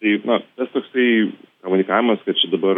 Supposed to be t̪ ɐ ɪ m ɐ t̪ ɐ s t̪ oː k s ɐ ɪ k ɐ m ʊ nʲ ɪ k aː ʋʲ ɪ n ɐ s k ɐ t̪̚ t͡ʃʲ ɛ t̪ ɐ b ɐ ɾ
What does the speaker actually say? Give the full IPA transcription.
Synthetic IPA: t̪ ɐ ɪ n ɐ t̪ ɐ s t̪ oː k s ɐ ɪ k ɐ m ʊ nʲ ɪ k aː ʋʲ ɪ m ɐ s k ɐ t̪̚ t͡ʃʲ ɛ d̪ ɐ b ɐ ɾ